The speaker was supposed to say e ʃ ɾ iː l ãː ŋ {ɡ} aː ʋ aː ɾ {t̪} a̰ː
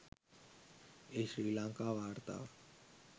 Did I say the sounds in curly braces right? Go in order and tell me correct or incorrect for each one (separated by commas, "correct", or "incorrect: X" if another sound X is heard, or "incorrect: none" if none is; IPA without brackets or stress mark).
incorrect: k, correct